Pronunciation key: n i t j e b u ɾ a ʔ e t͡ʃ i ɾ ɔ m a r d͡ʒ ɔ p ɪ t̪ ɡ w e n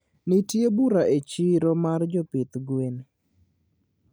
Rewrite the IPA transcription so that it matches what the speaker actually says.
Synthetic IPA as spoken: n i t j e b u ɾ a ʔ e t͡ʃ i ɾ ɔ m a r d͡ʒ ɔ p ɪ t̪ ɡ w e n